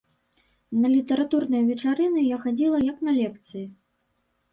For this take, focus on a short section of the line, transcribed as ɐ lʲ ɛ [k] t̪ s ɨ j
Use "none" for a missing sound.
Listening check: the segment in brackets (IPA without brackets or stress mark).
k